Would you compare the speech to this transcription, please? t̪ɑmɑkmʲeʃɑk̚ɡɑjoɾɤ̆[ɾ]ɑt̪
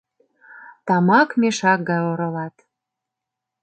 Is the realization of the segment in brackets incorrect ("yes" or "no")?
yes